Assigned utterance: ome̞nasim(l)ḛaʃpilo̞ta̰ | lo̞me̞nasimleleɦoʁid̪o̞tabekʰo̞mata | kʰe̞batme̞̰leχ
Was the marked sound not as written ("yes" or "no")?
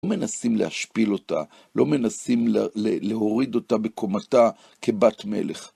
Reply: no